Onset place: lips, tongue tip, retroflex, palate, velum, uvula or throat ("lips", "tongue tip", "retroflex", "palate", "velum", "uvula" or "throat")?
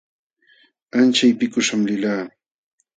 tongue tip